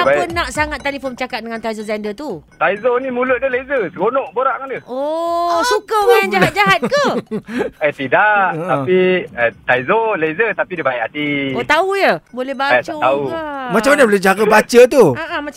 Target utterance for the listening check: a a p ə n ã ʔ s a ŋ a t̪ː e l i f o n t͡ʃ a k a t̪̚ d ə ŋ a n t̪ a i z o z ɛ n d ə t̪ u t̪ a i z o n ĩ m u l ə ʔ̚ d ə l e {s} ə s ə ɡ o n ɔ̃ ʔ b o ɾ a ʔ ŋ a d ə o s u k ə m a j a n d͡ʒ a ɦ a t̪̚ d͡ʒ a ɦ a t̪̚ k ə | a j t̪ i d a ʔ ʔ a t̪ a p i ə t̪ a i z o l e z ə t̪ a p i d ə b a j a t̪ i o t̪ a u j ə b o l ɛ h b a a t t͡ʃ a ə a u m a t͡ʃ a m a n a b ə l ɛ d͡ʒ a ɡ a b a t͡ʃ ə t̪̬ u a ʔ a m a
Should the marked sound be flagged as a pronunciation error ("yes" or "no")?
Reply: yes